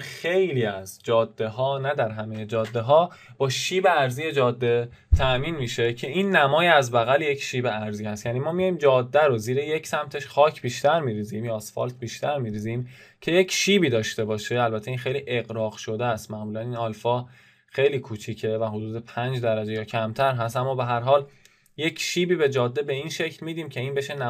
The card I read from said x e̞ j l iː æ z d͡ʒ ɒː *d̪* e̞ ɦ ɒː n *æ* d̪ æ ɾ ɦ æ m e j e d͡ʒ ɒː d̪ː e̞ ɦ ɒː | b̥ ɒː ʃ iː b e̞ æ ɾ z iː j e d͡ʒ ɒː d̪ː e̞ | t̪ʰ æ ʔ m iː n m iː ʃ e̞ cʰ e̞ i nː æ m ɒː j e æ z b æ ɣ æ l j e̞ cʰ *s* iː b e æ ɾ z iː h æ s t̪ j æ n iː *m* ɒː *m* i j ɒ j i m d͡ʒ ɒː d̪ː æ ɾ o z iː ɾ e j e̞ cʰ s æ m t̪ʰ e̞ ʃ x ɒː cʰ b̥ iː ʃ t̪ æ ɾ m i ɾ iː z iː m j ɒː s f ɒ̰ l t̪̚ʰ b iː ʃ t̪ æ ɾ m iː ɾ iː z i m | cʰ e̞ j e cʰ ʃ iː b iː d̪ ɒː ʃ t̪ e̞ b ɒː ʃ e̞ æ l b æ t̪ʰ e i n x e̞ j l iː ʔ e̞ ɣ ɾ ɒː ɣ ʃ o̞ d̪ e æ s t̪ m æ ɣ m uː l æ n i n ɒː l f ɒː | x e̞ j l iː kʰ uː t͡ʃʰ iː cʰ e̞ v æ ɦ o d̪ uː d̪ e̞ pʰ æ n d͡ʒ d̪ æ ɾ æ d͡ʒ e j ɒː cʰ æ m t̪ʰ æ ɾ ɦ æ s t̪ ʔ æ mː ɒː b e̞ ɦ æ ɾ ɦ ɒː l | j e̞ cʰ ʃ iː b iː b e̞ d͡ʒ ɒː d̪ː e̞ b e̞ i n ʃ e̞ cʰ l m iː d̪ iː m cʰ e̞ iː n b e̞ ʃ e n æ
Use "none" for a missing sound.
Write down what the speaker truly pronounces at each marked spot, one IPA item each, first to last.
d̪ː, æ, ʃ, m, m

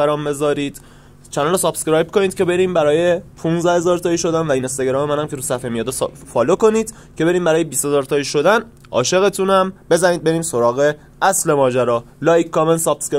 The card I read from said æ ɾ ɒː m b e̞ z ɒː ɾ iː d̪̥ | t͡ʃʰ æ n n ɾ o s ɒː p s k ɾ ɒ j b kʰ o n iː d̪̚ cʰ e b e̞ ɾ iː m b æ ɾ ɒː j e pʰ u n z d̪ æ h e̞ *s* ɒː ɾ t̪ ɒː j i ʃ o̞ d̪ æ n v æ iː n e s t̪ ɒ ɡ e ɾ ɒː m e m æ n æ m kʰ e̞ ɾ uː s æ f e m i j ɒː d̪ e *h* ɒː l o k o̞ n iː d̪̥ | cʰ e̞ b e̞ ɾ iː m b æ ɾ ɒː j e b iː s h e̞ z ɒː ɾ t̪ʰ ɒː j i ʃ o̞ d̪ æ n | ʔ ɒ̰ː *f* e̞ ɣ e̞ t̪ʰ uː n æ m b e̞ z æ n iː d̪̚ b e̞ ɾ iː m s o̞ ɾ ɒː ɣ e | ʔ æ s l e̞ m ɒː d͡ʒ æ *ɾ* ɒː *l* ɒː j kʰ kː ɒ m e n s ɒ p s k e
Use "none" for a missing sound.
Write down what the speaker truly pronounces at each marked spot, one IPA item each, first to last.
z, f, ʃ, ɾ, l

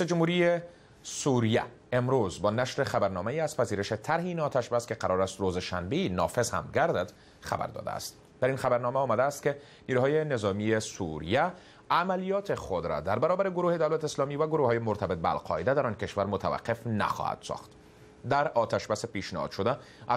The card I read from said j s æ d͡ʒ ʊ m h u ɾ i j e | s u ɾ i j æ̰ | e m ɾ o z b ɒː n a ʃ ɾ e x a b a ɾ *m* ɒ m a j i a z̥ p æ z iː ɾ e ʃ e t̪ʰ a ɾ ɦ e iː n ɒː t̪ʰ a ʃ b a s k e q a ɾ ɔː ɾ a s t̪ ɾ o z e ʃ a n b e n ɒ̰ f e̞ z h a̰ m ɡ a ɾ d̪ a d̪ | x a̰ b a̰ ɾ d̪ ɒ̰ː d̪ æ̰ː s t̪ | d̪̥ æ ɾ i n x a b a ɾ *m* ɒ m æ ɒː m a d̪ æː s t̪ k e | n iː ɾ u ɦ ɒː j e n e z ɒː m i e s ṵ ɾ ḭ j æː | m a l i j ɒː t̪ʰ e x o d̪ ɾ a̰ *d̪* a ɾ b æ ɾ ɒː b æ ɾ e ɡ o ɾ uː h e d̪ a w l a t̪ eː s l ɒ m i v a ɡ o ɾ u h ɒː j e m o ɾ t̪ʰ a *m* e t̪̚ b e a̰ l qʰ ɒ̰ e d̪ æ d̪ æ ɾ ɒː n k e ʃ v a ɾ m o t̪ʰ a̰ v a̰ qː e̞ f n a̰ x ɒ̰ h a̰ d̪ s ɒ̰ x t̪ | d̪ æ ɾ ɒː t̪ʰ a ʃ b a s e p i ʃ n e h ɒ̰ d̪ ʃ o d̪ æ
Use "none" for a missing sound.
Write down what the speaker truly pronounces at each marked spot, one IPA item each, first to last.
n, n, d̪, b

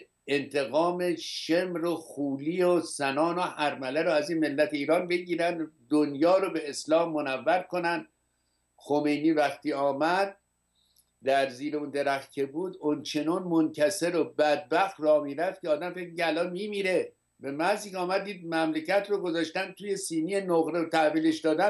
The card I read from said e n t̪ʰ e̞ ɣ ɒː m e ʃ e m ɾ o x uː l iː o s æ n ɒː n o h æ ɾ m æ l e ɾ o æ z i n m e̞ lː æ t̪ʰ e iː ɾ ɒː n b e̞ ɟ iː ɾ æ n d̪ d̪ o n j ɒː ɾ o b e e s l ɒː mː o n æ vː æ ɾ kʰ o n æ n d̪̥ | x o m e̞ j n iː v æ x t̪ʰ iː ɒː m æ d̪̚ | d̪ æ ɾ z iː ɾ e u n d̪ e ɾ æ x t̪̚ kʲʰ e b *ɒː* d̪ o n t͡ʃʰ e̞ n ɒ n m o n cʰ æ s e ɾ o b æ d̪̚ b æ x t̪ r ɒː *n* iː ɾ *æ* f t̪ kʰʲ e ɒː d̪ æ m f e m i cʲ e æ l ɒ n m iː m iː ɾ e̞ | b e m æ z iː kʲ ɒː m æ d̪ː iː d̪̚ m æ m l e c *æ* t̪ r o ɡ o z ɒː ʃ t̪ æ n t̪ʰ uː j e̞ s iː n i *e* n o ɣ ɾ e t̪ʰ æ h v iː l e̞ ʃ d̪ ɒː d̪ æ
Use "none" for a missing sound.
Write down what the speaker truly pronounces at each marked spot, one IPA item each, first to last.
uː, m, æ, æ, e

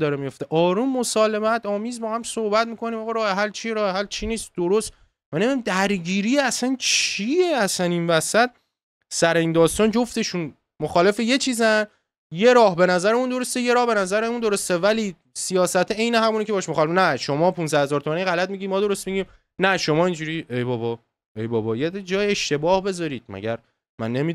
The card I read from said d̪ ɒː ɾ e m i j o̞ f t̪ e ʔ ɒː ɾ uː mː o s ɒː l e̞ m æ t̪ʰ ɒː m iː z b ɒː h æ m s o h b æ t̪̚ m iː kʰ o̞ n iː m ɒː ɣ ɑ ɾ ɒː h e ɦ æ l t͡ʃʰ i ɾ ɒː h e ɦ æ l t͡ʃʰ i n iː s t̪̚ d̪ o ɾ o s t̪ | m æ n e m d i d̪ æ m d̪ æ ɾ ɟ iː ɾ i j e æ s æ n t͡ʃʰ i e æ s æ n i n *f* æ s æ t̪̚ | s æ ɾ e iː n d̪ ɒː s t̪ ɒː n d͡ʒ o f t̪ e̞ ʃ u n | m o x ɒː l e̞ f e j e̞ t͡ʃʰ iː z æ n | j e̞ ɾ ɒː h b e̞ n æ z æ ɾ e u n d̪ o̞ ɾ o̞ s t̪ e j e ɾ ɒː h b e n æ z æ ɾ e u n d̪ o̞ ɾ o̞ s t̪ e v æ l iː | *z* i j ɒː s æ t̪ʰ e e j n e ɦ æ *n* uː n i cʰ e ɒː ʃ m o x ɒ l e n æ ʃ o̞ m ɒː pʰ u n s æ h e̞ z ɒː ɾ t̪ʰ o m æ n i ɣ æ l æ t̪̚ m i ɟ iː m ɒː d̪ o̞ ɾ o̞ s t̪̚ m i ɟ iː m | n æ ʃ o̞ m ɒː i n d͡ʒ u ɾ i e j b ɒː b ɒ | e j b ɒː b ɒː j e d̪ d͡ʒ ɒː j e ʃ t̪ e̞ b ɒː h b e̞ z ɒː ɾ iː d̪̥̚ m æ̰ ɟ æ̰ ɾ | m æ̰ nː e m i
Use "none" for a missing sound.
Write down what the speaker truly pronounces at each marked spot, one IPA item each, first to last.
v, s, m

